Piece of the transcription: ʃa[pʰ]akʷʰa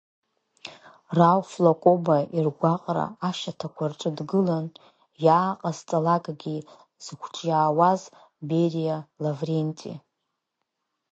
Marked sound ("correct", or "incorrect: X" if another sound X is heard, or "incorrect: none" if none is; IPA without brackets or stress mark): incorrect: tʰ